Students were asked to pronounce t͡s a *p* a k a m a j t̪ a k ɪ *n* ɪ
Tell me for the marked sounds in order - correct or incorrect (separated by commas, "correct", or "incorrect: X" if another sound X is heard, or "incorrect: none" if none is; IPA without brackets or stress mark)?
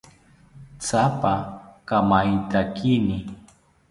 correct, correct